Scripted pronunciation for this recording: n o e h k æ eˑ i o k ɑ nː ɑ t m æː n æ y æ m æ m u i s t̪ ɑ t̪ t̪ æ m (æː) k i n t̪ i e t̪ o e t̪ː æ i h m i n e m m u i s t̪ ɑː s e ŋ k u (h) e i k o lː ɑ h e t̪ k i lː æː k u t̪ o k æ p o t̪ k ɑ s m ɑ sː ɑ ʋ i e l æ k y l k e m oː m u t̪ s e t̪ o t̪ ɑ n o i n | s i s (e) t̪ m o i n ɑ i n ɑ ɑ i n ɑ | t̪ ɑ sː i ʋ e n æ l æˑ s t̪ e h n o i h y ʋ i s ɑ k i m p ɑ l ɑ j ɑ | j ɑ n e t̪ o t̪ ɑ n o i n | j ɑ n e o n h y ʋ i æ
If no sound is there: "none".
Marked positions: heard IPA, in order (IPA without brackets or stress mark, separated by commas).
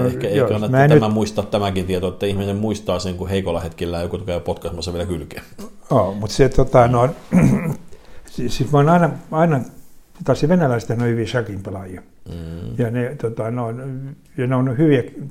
æ, h, i